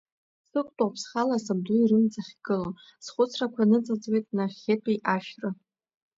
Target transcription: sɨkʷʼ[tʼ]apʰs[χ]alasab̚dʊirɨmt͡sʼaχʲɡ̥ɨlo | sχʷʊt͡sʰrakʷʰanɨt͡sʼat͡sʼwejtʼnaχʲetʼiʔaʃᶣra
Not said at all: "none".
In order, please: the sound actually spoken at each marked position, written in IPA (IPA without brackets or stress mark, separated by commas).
tʼ, χ